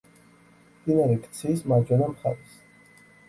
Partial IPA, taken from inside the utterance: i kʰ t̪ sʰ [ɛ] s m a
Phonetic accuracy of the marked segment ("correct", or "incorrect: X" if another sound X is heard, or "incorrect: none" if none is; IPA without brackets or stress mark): incorrect: i